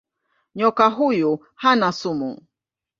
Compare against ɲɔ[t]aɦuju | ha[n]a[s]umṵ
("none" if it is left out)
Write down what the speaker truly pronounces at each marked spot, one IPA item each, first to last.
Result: k, n, s

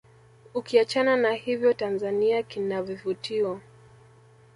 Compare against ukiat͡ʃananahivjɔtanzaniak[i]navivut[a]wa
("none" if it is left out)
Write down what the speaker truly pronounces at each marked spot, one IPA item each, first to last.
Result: i, i

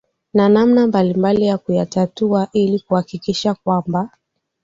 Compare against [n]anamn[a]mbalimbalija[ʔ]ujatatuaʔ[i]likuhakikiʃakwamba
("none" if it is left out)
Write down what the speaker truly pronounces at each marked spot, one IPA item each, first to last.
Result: n, a, k, i

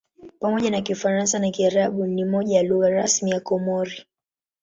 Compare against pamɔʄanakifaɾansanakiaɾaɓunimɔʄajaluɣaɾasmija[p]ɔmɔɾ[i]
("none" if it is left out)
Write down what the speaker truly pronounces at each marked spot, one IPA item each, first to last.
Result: k, i

